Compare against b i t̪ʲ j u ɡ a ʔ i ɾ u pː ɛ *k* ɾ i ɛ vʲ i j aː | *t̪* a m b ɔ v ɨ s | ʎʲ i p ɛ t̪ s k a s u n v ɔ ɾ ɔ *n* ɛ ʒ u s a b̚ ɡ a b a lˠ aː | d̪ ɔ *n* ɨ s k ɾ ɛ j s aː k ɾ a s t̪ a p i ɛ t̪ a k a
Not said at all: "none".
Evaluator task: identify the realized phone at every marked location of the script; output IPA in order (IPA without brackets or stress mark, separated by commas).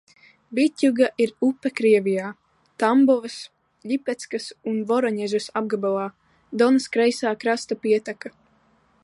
k, t̪, ɲ, n